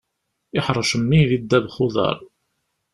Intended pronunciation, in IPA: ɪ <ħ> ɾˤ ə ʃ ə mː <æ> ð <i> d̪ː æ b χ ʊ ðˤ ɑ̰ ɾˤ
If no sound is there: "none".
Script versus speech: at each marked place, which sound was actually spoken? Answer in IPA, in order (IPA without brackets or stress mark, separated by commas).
ħ, i, i